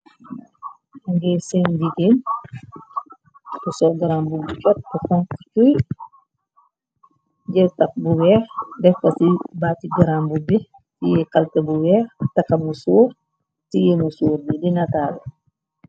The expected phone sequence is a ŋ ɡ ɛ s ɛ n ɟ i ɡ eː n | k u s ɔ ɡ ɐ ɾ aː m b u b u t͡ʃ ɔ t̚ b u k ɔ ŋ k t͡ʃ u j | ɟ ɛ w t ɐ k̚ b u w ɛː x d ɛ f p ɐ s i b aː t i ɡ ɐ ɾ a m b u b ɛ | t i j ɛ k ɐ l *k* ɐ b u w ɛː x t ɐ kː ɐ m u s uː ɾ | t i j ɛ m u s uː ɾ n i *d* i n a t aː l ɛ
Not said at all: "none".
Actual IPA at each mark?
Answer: t, d

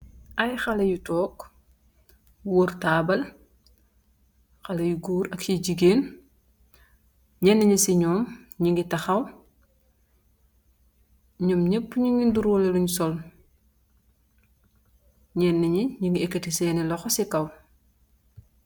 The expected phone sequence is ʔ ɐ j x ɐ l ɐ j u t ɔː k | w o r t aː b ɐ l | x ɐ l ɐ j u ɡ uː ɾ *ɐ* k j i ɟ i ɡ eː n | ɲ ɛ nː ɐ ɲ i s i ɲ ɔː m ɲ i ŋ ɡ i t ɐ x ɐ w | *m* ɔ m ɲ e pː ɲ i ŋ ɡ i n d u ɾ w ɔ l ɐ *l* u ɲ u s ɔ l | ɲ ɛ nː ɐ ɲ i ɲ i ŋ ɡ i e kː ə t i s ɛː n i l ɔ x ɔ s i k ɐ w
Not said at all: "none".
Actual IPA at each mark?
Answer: ɐ, ɲ, l

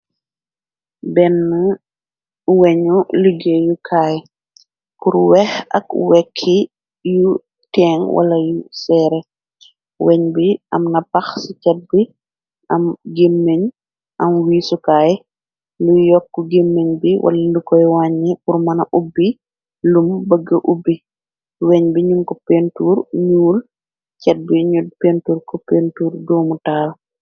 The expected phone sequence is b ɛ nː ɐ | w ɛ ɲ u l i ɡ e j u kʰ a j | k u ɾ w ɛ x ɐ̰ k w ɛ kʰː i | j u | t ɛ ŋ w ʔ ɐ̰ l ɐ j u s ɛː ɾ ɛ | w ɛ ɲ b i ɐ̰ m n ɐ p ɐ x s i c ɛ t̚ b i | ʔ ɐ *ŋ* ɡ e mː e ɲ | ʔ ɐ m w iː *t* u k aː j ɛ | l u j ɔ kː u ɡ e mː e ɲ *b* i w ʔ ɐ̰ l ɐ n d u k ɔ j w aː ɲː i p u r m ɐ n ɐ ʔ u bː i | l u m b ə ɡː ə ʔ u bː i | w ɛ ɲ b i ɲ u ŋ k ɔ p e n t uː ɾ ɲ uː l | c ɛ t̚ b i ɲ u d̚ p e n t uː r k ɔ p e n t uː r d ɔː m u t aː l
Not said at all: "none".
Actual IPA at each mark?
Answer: m, s, b

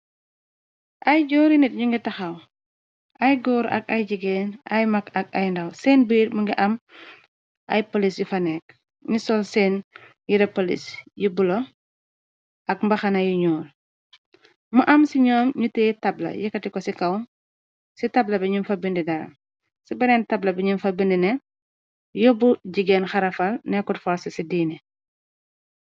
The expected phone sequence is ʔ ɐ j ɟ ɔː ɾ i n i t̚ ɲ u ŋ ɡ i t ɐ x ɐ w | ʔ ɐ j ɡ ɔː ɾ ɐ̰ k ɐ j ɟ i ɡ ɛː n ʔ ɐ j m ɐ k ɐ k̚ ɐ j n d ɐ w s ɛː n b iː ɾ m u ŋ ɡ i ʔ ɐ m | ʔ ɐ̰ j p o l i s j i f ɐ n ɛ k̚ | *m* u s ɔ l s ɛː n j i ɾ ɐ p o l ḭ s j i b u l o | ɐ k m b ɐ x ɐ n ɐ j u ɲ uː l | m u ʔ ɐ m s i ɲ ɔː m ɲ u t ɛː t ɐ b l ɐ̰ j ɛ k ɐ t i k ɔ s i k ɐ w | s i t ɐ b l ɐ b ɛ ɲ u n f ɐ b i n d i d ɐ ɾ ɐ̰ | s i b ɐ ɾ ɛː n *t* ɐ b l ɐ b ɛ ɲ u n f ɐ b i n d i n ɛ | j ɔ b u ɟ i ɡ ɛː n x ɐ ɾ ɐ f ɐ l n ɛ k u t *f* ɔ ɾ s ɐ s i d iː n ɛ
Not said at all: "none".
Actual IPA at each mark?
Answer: ɲ, t, f

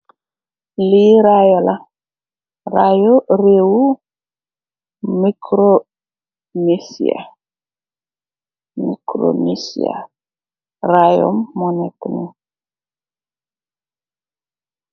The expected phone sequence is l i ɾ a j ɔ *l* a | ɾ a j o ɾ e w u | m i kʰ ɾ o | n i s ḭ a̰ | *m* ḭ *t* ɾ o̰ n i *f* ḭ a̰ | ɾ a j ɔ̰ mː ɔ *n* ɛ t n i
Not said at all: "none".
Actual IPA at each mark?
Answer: l, m, k, s, n

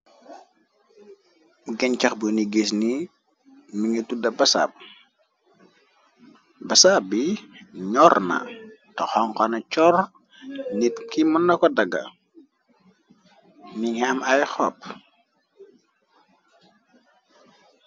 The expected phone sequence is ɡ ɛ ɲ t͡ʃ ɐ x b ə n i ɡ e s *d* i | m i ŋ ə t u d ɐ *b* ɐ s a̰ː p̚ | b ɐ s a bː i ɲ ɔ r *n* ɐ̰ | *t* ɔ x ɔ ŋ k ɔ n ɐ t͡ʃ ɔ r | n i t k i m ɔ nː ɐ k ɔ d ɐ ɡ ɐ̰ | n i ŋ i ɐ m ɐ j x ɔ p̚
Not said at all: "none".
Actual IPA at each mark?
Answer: n, b, n, t

